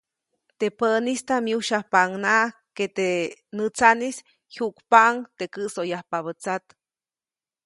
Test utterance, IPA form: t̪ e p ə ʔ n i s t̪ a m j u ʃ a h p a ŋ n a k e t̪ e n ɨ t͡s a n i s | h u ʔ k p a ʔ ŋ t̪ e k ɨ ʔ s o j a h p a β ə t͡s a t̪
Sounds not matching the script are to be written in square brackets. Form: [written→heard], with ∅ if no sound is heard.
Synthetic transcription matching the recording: t̪ e p ə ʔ n i s t̪ a m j u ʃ a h p a ŋ n a k e t̪ e n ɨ t͡s a n i s | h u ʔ k p a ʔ ŋ t̪ e k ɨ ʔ s o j a h p a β ə t͡s a t̪

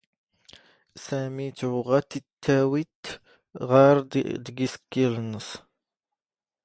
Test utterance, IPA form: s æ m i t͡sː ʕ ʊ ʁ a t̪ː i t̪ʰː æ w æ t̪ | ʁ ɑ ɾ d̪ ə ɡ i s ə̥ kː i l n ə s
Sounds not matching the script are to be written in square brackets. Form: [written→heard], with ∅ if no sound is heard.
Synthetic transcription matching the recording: s æ m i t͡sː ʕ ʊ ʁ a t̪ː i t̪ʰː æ w [æ→i] t̪ | ʁ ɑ ɾ d̪ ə ɡ i s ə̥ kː i l n ə s

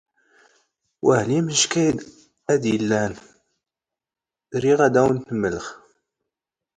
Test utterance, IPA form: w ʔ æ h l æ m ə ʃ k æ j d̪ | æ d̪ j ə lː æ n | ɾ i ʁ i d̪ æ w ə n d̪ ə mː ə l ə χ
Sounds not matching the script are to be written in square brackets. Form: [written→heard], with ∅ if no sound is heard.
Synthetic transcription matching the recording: w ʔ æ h l [æ→i] m ə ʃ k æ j d̪ | æ d̪ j ə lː æ n | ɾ i ʁ [i→æ] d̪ æ w ə n [d̪→t̪] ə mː ə l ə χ

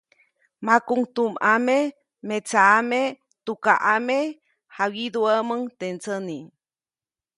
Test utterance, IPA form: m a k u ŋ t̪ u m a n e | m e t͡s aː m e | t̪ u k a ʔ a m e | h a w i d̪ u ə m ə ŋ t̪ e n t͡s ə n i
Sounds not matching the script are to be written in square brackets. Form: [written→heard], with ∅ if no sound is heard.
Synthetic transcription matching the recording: m a k u ŋ t̪ u m a [n→m] e | m e t͡s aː m e | t̪ u k a ʔ a m e | h a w i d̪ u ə m ə ŋ t̪ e n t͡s ə n i

